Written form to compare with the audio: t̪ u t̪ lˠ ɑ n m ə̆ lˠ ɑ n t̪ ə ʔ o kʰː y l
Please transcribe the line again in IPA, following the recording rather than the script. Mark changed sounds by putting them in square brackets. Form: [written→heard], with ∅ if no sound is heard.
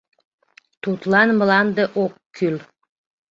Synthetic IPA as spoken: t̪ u t̪ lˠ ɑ n m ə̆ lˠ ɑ n [t̪→d̪] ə ʔ o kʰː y l